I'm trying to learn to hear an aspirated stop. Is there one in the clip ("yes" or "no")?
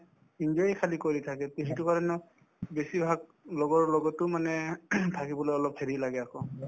yes